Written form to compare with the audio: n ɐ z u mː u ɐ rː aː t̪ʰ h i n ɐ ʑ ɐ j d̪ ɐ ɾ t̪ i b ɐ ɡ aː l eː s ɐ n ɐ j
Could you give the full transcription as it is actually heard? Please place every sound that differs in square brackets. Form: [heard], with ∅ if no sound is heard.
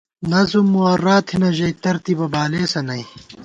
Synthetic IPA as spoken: n ɐ z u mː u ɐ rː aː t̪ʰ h i n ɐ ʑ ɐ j [t̪] ɐ ɾ t̪ i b ɐ [b] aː l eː s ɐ n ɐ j